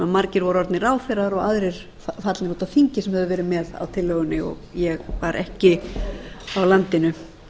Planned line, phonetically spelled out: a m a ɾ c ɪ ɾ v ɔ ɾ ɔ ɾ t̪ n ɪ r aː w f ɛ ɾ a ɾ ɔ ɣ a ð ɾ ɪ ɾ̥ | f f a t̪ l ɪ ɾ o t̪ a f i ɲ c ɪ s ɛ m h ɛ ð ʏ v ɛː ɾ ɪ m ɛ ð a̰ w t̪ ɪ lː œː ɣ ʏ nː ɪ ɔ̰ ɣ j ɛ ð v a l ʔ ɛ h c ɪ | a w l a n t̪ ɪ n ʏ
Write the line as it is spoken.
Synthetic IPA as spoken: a m a ɾ c ɪ ɾ v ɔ ɾ ɔ ɾ t̪ n ɪ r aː w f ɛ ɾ a ɾ ɔ ɣ a ð ɾ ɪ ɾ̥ | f f a t̪ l ɪ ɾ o t̪ a f i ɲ c ɪ s ɛ m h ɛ ð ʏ v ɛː ɾ ɪ m ɛ ð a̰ w t̪ʰ ɪ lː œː ɣ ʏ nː ɪ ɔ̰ ɣ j ɛ ɣ v a ɾ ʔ ɛ h c ɪ | a w l a n t̪ ɪ n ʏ